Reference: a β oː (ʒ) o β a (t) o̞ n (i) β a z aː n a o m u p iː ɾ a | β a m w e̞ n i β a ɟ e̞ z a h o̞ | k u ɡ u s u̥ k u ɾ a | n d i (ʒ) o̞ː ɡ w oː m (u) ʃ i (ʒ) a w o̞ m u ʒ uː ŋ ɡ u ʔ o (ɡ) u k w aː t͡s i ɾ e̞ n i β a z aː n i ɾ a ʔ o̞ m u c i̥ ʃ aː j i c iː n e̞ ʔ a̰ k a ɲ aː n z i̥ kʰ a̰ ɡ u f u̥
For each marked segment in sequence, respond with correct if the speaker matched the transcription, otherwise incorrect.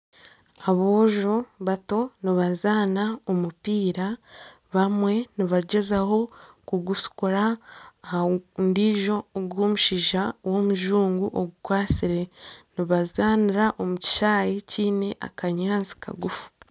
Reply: correct, correct, correct, correct, correct, correct, correct

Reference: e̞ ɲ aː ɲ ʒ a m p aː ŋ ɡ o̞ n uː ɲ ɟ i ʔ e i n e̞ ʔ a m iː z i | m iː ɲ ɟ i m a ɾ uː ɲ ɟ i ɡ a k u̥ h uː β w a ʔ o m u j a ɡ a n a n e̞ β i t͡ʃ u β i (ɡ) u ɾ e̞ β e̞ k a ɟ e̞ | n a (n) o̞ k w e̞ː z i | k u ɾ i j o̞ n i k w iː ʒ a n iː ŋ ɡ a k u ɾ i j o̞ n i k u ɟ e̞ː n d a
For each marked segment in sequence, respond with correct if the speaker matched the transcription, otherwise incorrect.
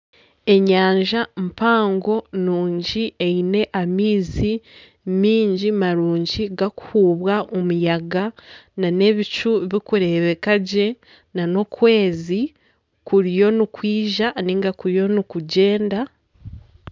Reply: incorrect: k, correct

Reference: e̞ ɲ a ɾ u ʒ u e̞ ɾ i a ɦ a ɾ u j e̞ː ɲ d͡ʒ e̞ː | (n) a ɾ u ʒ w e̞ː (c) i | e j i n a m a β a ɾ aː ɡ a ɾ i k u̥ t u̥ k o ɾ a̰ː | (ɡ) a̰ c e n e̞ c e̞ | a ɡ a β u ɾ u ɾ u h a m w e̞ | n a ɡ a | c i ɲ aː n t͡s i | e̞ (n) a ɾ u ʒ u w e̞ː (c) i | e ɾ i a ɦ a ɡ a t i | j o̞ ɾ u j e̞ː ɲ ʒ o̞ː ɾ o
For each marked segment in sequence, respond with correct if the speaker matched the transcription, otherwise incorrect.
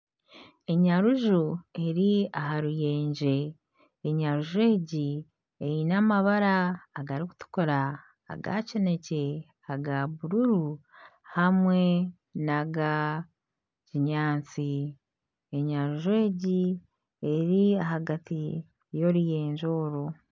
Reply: incorrect: ɲ, incorrect: ɟ, correct, incorrect: ɲ, incorrect: ɟ

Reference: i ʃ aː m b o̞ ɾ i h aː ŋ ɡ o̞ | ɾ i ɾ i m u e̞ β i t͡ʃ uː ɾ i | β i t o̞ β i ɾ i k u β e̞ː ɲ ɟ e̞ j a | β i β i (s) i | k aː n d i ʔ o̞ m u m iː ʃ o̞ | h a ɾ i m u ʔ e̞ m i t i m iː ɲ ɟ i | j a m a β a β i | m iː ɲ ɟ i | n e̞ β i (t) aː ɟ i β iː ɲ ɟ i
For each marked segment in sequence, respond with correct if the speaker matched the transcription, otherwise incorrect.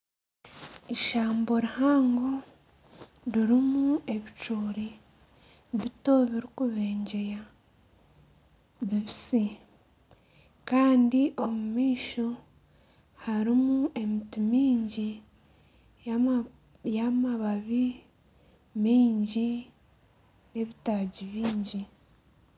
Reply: correct, correct

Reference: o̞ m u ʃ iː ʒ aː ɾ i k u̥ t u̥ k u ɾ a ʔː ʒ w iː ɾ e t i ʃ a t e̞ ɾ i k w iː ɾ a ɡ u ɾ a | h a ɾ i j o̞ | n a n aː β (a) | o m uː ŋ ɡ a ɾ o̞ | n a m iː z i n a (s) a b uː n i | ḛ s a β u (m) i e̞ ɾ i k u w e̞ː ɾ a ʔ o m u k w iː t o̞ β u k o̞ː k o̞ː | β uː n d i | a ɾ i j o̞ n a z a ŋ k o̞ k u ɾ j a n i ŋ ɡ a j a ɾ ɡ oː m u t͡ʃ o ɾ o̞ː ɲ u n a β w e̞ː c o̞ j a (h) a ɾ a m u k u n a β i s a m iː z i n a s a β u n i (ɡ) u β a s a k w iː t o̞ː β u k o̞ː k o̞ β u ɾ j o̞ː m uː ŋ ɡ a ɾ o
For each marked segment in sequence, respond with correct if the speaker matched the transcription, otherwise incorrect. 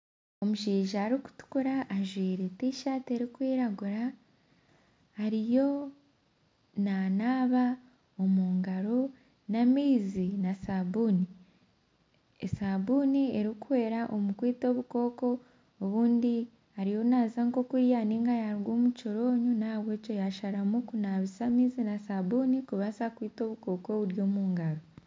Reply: correct, correct, incorrect: n, incorrect: ʃ, incorrect: k

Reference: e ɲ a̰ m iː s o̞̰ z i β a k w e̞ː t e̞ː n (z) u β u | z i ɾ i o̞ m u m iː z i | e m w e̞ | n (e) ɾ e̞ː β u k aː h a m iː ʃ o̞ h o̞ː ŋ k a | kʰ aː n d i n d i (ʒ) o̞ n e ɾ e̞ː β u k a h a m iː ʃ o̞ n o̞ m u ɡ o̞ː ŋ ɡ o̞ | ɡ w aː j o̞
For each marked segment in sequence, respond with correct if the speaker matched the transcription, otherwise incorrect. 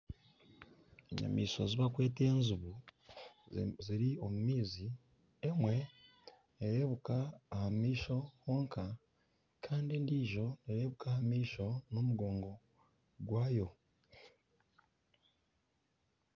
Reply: correct, correct, correct

